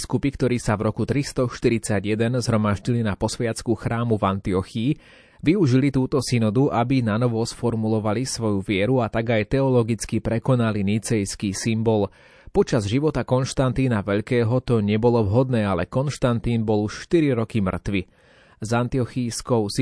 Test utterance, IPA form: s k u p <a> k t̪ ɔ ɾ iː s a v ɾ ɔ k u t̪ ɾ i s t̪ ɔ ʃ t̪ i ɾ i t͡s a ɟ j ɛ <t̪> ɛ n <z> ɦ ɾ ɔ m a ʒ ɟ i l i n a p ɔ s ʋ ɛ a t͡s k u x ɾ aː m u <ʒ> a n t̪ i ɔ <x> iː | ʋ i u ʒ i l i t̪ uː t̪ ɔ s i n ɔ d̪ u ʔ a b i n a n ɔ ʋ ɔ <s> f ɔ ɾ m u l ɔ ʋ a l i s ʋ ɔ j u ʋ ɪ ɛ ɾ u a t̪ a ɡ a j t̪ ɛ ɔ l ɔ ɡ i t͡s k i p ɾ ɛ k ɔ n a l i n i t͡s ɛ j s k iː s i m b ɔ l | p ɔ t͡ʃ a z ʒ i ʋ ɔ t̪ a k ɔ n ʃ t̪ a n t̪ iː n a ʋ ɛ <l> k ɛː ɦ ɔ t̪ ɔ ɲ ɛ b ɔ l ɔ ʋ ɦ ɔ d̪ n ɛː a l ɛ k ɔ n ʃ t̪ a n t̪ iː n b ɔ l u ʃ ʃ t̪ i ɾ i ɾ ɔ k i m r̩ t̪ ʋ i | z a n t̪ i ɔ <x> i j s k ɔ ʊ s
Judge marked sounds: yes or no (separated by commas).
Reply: no, no, yes, no, yes, yes, no, yes